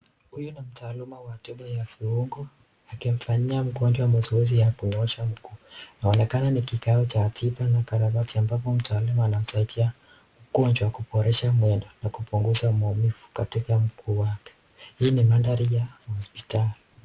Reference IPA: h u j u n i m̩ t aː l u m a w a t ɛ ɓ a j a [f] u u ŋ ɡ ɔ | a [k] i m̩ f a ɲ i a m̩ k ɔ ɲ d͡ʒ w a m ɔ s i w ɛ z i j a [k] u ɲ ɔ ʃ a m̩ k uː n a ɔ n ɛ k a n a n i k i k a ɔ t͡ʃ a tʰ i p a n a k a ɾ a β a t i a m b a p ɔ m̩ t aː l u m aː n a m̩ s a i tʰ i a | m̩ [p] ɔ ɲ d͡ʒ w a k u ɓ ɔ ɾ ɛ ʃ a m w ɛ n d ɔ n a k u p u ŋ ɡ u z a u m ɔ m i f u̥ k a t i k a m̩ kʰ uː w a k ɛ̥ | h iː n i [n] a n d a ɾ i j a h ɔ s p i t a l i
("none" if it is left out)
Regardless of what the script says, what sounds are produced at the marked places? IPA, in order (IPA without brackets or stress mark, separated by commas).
f, k, k, k, m